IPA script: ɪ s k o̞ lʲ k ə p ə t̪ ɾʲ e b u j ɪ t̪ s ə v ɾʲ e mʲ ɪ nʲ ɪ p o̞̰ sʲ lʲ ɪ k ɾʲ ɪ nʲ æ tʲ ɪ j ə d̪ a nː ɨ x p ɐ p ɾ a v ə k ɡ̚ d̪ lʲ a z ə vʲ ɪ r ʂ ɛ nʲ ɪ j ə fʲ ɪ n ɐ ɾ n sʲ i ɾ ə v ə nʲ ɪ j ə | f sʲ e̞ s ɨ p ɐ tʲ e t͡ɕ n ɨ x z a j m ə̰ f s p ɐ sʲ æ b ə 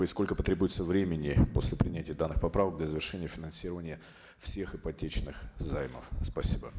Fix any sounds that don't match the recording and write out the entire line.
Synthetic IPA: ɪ s k o̞ lʲ k ə p ə t̪ ɾʲ e b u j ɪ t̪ s ə v ɾʲ e mʲ ɪ nʲ ɪ p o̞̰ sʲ lʲ ɪ p ɾʲ ɪ nʲ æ tʲ ɪ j ə d̪ a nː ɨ x p ɐ p ɾ a v ə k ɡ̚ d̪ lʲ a z ə vʲ ɪ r ʂ ɛ nʲ ɪ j ə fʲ ɪ n ɐ n sʲ i ɾ ə v ə nʲ ɪ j ə | f sʲ e̞ x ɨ p ɐ tʲ e t͡ɕ n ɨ x z a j m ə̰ f s p ɐ sʲ i b ə